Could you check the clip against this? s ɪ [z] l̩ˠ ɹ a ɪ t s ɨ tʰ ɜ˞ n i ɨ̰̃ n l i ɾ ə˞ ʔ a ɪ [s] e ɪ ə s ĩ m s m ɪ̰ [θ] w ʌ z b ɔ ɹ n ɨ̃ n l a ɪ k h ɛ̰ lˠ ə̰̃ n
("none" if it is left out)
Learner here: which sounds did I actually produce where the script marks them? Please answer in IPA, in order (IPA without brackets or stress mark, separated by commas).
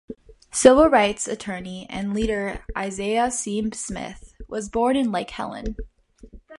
v, z, θ